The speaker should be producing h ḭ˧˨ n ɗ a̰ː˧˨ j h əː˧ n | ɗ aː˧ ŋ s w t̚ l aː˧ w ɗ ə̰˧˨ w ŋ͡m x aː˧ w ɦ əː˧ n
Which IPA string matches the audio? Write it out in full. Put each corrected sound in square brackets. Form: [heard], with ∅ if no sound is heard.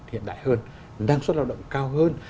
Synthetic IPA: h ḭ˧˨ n ɗ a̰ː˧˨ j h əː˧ n | ɗ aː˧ ŋ s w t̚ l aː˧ w ɗ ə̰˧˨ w ŋ͡m [k] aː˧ w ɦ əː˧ n